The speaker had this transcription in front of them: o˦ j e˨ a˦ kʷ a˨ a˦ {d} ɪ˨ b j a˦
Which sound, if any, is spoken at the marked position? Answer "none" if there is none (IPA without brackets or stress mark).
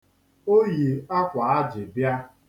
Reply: d͡ʒ